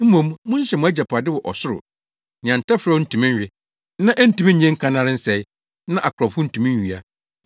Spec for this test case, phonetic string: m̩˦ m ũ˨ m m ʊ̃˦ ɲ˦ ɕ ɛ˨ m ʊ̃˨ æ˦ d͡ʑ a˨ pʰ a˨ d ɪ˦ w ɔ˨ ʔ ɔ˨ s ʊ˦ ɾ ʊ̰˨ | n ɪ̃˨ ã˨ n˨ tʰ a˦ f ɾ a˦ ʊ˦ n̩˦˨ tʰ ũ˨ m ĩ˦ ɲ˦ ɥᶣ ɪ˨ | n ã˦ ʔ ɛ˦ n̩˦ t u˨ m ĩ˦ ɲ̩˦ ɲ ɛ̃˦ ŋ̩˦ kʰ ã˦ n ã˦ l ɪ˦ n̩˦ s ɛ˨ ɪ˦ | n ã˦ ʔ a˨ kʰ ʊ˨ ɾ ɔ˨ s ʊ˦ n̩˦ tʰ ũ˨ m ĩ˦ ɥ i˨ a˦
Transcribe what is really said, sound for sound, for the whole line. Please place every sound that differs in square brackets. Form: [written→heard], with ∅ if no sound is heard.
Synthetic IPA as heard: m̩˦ m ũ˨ m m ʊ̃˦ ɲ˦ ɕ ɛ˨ m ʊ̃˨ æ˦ d͡ʑ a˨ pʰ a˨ d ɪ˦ w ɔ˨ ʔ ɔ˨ s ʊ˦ ɾ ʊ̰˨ | n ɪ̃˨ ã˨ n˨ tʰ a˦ f ɾ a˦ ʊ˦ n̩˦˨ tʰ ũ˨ m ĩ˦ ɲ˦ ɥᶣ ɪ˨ | n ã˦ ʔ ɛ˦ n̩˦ t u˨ m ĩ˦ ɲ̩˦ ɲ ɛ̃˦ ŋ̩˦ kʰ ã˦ n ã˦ [l→ɾ] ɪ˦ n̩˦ s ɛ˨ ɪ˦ | n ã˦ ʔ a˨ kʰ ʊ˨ ɾ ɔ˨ [s→f] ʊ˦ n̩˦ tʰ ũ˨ m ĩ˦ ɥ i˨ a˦

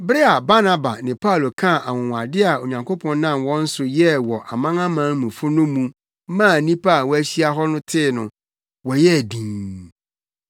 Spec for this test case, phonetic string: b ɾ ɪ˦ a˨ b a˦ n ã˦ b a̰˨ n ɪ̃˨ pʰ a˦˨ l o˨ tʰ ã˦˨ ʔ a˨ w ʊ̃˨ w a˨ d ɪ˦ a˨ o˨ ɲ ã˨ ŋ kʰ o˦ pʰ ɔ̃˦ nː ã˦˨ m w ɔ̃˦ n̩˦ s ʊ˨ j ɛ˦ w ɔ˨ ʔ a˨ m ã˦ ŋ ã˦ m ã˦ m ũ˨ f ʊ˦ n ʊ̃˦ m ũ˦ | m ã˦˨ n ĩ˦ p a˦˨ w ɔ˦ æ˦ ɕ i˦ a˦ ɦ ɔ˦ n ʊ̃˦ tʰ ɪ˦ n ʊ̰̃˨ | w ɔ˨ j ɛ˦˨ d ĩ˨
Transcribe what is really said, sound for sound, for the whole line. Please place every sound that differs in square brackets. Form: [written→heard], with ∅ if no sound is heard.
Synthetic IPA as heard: b ɾ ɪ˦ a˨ b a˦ n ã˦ b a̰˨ n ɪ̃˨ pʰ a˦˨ l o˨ [tʰ→kʰ] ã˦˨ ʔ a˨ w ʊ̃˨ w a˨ d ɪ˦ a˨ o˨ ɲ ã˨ ŋ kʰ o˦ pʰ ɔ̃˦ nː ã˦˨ m w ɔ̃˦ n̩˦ s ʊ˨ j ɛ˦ w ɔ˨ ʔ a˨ m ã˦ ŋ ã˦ m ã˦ m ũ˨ f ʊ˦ n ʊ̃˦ m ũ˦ | m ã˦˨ n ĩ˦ p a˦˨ w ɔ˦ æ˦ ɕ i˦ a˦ ɦ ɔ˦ n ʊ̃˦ tʰ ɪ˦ n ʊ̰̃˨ | w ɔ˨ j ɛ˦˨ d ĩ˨

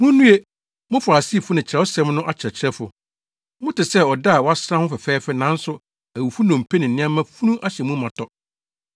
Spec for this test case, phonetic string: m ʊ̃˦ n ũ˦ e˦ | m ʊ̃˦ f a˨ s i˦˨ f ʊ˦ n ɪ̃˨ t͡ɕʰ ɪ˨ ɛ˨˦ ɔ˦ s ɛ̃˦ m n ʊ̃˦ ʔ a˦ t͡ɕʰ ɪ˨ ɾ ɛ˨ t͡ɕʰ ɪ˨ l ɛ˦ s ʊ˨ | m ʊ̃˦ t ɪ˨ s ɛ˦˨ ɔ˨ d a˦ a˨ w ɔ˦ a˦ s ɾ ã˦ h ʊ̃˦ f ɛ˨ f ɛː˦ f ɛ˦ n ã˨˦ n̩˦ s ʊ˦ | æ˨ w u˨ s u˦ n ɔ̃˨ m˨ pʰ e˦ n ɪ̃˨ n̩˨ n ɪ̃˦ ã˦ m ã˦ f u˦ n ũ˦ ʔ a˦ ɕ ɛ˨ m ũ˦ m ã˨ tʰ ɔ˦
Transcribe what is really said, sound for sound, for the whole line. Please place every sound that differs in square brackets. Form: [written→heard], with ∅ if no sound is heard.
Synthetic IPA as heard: m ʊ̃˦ n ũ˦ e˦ | m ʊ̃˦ f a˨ s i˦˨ f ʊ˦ n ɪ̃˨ t͡ɕʰ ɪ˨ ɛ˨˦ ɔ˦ s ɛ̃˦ m n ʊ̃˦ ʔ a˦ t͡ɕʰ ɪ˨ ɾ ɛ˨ t͡ɕʰ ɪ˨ [l→ɾ] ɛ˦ [s→f] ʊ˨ | m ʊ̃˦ t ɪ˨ s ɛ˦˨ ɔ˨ d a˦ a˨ w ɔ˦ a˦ s ɾ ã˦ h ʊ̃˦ f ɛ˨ f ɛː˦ f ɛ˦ n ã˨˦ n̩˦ s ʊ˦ | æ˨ w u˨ [s→f] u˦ n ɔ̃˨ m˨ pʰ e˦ n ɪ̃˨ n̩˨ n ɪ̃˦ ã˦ m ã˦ f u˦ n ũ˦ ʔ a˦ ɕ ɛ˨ m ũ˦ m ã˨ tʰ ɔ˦

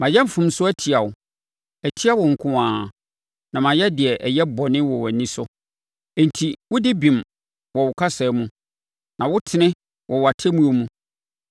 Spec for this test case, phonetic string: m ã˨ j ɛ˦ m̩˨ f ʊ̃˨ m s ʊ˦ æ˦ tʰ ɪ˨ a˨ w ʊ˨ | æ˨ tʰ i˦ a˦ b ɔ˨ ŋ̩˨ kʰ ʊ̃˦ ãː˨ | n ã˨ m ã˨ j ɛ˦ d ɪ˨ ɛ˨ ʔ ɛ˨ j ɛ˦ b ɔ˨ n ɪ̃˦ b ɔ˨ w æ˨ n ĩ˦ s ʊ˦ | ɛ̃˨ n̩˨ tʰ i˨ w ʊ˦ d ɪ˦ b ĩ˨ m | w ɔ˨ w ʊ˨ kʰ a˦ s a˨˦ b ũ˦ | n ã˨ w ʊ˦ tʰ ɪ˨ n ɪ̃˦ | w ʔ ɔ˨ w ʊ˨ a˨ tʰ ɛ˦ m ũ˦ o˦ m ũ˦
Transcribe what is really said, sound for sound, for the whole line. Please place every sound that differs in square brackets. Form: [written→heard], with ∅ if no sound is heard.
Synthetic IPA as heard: m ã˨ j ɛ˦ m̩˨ f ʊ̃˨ m s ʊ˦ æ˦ tʰ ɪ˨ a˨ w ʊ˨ | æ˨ tʰ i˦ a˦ [b→w] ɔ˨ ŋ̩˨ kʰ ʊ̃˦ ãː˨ | n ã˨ m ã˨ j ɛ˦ d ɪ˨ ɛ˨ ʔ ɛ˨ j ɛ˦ b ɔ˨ n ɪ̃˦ [b→w] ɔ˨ w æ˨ n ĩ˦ s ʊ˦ | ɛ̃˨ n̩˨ tʰ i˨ w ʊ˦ d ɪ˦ b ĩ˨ m | w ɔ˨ w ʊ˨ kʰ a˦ s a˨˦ [b→m] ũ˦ | n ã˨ w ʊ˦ tʰ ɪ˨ n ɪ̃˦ | w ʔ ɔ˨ w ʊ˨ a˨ tʰ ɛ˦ m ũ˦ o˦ m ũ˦

